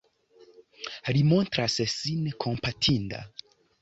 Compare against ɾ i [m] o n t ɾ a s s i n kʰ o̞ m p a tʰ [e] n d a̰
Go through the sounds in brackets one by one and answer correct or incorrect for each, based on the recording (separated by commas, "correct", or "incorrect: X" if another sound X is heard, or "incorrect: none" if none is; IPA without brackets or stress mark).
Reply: correct, incorrect: i